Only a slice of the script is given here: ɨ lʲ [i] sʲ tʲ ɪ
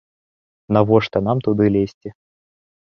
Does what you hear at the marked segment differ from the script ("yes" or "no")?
yes